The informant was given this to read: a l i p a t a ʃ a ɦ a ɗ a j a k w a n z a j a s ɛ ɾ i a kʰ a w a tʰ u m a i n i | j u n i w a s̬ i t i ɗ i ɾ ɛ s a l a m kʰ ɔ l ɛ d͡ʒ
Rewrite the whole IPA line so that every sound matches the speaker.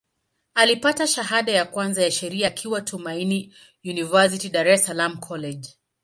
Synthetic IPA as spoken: a l i p a t a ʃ a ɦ a ɗ a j a k w a n z a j a ʃ ɛ ɾ i a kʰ i w a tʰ u m a i n i | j u n i v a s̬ i t i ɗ a ɾ ɛ s a l a m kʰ ɔ l ɛ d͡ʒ